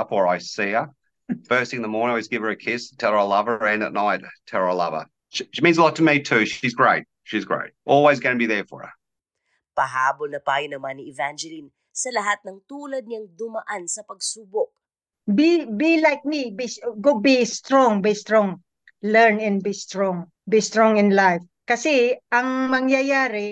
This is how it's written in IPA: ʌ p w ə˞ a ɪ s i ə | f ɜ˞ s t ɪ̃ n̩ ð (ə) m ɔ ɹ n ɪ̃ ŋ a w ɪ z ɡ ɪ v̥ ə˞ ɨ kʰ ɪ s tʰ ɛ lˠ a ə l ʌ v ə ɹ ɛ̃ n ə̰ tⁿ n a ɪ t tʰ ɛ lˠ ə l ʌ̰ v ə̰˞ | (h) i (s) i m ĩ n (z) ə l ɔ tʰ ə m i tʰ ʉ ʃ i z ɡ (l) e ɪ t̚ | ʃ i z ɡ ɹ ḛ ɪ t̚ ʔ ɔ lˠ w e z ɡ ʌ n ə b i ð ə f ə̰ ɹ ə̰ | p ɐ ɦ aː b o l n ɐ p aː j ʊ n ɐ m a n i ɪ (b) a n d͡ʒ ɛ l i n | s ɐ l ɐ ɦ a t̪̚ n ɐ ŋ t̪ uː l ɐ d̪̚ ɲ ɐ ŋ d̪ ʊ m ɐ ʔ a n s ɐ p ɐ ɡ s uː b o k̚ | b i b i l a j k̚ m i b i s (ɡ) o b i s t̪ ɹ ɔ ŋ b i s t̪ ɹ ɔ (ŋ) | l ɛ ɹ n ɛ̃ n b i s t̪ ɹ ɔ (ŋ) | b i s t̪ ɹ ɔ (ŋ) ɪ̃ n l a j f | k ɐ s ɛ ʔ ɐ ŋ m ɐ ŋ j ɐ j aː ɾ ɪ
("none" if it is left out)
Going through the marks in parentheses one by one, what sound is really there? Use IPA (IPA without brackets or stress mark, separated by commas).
ə, ʃ, ʃ, z, ɹ, v, ɡ, ŋ, ŋ, ŋ